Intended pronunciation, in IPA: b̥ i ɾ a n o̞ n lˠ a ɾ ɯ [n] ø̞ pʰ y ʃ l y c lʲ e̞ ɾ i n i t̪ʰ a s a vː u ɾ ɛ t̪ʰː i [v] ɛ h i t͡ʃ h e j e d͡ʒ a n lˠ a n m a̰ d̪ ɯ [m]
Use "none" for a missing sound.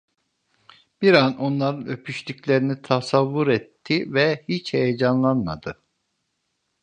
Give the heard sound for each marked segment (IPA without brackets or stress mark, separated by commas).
n, v, none